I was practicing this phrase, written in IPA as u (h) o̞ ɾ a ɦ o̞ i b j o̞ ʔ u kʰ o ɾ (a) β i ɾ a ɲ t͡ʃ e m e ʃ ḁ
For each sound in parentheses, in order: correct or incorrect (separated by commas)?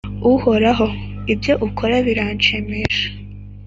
correct, correct